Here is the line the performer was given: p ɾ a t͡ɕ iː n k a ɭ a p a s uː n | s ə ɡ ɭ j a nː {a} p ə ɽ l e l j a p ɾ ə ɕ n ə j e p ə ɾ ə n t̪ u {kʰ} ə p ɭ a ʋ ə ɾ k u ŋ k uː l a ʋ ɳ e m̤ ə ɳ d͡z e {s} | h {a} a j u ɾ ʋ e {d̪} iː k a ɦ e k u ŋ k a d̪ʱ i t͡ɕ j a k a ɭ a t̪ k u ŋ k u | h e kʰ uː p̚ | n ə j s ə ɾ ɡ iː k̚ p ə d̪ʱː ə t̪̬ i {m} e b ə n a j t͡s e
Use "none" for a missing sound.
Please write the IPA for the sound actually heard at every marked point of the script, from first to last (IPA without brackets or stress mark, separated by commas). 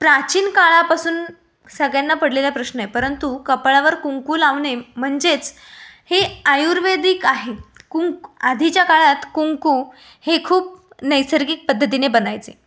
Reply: a, k, t͡s, e, d̪, n